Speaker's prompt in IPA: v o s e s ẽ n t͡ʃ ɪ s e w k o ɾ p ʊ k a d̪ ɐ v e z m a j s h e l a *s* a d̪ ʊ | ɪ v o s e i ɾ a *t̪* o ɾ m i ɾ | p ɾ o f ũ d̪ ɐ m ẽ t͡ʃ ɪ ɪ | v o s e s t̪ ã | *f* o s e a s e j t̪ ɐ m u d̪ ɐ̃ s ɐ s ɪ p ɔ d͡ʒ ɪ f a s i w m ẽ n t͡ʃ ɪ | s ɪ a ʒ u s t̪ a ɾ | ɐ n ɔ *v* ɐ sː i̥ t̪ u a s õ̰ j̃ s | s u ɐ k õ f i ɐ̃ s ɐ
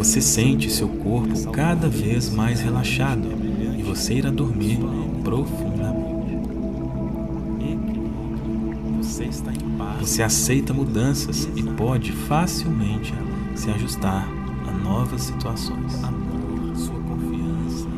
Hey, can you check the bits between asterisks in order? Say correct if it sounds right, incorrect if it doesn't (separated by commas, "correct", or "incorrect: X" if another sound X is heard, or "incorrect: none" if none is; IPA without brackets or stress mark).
incorrect: ʃ, incorrect: d̪, incorrect: v, correct